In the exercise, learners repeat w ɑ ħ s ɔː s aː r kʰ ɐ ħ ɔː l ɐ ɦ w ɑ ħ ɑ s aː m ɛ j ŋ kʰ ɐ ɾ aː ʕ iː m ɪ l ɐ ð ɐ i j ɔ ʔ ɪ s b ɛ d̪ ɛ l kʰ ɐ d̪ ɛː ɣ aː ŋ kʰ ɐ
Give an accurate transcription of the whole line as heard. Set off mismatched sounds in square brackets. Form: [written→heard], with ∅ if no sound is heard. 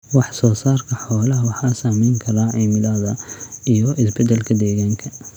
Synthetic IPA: w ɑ ħ s ɔː s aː r kʰ ɐ ħ ɔː l ɐ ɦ w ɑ ħ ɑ s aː m ɛ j ŋ kʰ ɐ ɾ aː ʕ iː m ɪ l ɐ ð ɐ i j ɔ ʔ ɪ s b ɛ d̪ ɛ l kʰ ɐ d̪ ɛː ɣ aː ŋ kʰ ɐ